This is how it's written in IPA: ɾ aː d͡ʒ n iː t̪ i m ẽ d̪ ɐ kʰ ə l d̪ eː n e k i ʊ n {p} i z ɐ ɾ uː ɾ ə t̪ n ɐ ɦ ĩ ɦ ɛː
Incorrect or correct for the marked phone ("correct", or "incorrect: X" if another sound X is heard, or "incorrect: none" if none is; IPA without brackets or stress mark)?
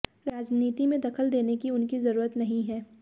incorrect: k